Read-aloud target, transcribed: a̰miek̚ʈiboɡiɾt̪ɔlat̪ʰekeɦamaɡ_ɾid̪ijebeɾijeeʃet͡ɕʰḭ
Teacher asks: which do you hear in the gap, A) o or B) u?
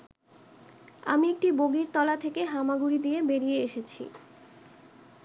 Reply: B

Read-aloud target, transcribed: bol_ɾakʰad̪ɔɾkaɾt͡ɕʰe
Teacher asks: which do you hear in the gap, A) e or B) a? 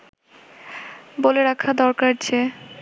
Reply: A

